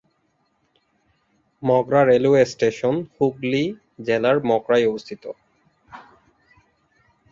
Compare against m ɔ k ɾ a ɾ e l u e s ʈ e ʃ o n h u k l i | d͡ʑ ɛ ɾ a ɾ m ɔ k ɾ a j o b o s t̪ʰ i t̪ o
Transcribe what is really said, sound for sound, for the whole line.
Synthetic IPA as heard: m ɔ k ɾ a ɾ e l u e s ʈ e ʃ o n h u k l i | d͡ʑ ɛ l a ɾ m ɔ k ɾ a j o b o s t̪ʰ i t̪ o

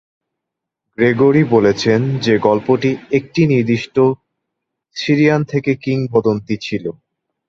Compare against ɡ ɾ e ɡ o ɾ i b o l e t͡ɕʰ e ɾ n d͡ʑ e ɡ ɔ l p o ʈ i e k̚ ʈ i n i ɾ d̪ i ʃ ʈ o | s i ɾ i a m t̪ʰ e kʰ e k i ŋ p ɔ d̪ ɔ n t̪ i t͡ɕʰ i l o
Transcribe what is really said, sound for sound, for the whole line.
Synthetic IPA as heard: ɡ ɾ e ɡ o ɾ i b o l e t͡ɕʰ e n d͡ʑ e ɡ ɔ l p o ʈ i e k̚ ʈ i n i ɾ d̪ i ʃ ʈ o | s i ɾ i a n t̪ʰ e k e k i ŋ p ɔ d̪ o n t̪ i t͡ɕʰ i l o

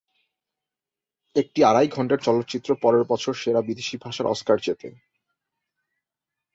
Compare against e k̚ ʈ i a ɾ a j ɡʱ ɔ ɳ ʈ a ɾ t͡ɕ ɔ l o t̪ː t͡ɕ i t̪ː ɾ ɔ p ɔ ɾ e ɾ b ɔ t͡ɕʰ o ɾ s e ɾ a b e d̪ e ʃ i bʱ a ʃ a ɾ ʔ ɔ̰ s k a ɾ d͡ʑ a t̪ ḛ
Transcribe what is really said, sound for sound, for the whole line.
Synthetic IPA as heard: e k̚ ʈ i a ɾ a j ɡʱ ɔ ɳ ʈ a ɾ t͡ɕ ɔ l o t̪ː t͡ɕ i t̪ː ɾ o p ɔ ɾ e ɾ b ɔ t͡ɕʰ o ɾ ʃ e ɾ a b i d̪ e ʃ i bʱ a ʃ a ɾ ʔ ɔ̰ s k a ɾ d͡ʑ e t̪ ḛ

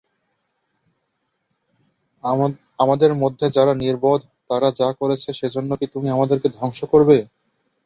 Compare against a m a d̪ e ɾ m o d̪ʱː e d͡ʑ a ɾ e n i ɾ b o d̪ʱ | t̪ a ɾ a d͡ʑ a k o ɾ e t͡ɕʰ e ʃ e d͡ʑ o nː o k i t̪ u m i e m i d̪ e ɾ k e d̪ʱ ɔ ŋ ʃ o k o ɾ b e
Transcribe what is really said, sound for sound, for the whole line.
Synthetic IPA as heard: a m a d̪ e ɾ m o d̪ʱː e d͡ʑ a ɾ a n i ɾ b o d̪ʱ | t̪ a ɾ a d͡ʑ a k o ɾ e t͡ɕʰ e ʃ e d͡ʑ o nː o k i t̪ u m i a m a d̪ e ɾ k e d̪ʱ ɔ ŋ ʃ o k o ɾ b e

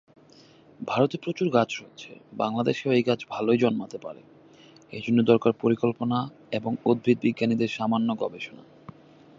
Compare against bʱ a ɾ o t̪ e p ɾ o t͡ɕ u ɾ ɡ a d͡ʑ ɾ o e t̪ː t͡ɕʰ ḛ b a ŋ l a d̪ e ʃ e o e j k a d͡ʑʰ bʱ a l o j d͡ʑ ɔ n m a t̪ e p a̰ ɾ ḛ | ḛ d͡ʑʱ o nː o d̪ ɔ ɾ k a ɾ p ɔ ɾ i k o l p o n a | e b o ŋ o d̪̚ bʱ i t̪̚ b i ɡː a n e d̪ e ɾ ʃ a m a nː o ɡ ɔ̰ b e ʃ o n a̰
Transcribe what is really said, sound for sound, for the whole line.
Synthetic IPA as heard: bʱ a ɾ o t̪ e p ɾ o t͡ɕ u ɾ ɡ a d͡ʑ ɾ o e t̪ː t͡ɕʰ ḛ b a ŋ l a d̪ e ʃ e o e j ɡ a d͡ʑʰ bʱ a l o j d͡ʑ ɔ n m a t̪ e p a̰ ɾ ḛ | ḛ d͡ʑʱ o nː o d̪ ɔ ɾ k a ɾ p o ɾ i k o l p o n a | e b o ŋ o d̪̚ bʱ i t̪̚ b i ɡː a n i d̪ e ɾ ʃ a m a nː o ɡ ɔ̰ b e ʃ o n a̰

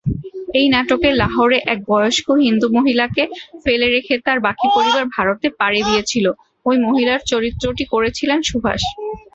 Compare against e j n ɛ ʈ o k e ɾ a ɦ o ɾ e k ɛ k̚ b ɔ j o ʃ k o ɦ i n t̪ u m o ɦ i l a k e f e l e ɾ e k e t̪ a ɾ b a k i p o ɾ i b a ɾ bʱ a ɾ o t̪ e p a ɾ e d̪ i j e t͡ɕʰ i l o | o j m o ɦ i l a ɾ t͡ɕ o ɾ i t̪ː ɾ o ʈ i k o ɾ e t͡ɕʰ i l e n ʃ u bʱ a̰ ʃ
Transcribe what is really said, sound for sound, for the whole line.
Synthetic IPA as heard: e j n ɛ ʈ o k e l a ɦ o ɾ e ʔ ɛ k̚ b ɔ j o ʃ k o ɦ i n d̪ u m o ɦ i l a k e f e l e ɾ e kʰ e t̪ a ɾ b a k i p o ɾ i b a ɾ bʱ a ɾ o t̪ e p a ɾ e d̪ i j e t͡ɕʰ i l o | o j m o ɦ i l a ɾ t͡ɕ o ɾ i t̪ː ɾ o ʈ i k o ɾ e t͡ɕʰ i l e n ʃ u bʱ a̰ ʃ

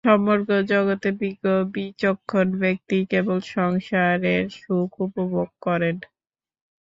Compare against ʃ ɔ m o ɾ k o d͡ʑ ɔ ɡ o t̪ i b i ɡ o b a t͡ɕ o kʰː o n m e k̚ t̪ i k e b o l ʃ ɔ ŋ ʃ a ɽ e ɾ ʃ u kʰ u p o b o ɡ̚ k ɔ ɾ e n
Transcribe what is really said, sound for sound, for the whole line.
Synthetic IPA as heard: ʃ ɔ m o ɾ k o d͡ʑ ɔ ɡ o t̪ e b i ɡ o b i t͡ɕ o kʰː o n b e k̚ t̪ i k e b o l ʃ ɔ ŋ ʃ a ɾ e ɾ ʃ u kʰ u p o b o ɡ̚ k ɔ ɾ e n

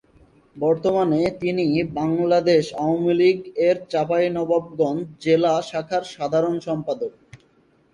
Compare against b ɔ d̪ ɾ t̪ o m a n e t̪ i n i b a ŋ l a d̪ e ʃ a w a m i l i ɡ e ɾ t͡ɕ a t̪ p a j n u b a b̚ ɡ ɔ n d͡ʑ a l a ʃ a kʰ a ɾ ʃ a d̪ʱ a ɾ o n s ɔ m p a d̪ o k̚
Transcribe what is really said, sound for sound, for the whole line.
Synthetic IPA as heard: b ɔ ɾ t̪ o m a n e t̪ i n i b a ŋ l a d̪ e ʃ a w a m i l i ɡ e ɾ t͡ɕ a p a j n ɔ b a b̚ ɡ ɔ n d͡ʑ e l a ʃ a kʰ a ɾ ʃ a d̪ʱ a ɾ o n ʃ ɔ m p a d̪ o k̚

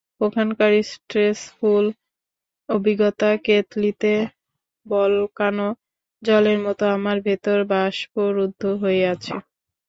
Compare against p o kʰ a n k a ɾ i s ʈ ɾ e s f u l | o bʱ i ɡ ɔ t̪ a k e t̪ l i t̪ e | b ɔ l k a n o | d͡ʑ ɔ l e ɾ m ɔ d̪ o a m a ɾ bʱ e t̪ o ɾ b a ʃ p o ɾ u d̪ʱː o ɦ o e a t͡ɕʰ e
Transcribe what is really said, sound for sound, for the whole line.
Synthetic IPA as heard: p o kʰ a n k a ɾ i s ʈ ɾ e s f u l | o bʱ i ɡ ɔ t̪ a k e t̪ l i t̪ e | b ɔ l k a n o | d͡ʑ ɔ l e ɾ m ɔ t̪ o a m a ɾ bʱ e t̪ o ɾ b a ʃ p o ɾ u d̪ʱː o ɦ o e a t͡ɕʰ e

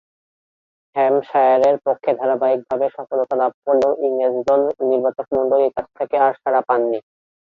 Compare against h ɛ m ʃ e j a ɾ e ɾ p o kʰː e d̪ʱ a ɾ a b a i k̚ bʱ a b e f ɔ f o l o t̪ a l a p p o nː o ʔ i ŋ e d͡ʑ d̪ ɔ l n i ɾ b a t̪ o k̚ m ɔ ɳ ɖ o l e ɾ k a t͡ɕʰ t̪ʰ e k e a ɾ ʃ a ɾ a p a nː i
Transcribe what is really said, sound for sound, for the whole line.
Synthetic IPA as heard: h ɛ m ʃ a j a ɾ e ɾ p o kʰː e d̪ʱ a ɾ a b a i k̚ bʱ a b e ʃ ɔ f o l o t̪ a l a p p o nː o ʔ i ŋ e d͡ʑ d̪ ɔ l n i ɾ b a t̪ o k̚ m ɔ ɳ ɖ o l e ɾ k a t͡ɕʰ t̪ʰ e k e a ɾ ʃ a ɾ a p a nː i

